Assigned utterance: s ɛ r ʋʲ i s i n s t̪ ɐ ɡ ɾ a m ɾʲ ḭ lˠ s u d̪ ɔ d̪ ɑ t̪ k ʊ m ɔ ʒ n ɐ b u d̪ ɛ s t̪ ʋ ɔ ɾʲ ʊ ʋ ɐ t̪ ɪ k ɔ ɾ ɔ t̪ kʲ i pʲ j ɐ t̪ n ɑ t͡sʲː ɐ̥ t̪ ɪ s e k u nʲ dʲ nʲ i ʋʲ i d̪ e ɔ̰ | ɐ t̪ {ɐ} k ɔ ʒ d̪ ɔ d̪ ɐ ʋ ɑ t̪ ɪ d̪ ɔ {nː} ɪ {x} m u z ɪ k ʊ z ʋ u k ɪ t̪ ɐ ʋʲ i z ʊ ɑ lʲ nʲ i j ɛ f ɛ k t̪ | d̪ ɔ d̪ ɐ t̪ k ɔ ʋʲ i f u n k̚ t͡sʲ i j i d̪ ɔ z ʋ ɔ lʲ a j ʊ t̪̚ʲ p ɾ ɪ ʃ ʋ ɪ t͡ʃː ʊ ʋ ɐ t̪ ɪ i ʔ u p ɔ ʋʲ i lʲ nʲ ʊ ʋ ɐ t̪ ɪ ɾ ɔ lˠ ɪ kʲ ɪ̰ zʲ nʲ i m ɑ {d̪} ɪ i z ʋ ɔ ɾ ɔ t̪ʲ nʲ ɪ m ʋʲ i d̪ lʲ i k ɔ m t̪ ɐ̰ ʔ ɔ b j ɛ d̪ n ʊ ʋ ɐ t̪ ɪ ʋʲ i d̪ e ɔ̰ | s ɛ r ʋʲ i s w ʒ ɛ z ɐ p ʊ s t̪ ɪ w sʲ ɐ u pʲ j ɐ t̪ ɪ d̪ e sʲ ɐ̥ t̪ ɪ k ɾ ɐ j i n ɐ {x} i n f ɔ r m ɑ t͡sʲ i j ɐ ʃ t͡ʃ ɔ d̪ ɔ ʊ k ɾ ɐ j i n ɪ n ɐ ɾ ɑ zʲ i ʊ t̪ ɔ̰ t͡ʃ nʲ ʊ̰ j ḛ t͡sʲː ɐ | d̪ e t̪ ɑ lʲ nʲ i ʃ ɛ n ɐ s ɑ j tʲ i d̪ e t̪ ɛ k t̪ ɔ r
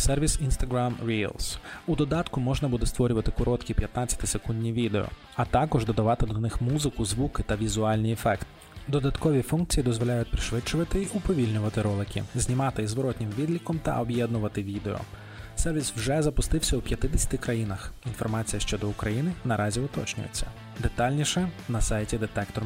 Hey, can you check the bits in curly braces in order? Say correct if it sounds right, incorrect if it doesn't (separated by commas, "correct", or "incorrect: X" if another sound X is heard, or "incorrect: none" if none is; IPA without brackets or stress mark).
incorrect: ɑ, incorrect: n, correct, incorrect: t̪, correct